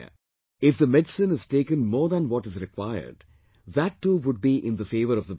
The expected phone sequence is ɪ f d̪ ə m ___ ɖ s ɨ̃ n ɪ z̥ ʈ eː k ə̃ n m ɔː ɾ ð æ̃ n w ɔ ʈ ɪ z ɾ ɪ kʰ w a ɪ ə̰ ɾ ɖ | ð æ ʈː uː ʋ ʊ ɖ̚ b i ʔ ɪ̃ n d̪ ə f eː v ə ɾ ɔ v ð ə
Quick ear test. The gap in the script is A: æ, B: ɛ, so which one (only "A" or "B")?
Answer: B